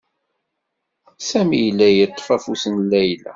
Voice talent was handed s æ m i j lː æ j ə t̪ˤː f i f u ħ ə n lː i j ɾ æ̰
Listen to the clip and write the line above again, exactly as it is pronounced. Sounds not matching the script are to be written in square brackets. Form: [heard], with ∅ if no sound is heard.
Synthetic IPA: s æ m i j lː æ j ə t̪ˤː f [æ] f u [s] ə n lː [æ] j [l] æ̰

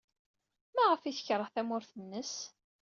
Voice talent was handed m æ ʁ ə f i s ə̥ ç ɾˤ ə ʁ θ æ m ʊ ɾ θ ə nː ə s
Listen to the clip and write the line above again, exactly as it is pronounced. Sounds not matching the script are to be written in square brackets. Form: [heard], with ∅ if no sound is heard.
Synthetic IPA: m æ ʁ ə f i [θ] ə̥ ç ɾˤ ə ʁ θ æ m ʊ ɾ θ ə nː ə s

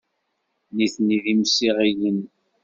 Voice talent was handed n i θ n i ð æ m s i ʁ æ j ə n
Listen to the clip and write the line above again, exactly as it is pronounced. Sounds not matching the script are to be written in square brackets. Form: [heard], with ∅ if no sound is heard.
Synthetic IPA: n i θ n i ð [i] m s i ʁ [i] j ə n

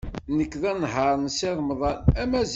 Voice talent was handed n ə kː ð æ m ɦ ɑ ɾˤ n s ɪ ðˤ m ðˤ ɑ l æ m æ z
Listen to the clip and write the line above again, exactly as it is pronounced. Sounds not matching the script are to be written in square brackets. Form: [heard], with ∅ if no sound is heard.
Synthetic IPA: n ə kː ð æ [n] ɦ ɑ ɾˤ n s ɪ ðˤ m ðˤ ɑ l æ m æ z

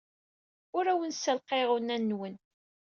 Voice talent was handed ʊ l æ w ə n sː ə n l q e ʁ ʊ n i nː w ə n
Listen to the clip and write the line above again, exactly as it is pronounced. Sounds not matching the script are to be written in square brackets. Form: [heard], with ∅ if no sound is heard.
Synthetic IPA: ʊ [ɾ] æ w ə n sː ə [∅] l q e ʁ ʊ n [æ] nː w ə n

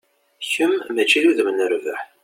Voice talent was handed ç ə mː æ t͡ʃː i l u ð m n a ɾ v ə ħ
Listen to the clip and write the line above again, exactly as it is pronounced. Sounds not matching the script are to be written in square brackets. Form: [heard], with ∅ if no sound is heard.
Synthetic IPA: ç ə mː æ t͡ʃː i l u ð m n [ə] ɾ v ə ħ

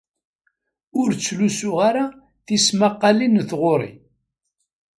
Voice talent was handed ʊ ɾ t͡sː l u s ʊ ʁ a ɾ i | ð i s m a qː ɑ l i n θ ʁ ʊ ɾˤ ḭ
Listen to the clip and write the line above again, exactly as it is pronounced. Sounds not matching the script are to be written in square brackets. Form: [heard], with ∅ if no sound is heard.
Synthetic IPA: ʊ ɾ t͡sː l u s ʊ ʁ a ɾ [a] | [θ] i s m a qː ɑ l i n θ ʁ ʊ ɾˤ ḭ

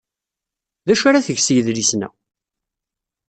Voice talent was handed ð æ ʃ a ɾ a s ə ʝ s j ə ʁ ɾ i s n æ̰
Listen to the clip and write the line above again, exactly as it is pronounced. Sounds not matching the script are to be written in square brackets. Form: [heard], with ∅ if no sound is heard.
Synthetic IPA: ð æ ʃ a ɾ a [θ] ə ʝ s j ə [ð] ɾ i s n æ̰

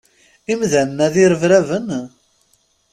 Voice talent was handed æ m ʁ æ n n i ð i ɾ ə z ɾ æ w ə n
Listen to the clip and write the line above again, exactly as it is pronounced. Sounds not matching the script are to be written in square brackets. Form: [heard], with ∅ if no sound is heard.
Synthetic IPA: [i] m [ð] æ n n [æ] ð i ɾ ə [v] ɾ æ [v] ə n

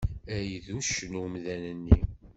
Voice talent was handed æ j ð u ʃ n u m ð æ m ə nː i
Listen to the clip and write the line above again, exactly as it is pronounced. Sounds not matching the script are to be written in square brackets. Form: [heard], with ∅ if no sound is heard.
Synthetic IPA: æ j ð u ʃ n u m ð æ [n] ə nː i

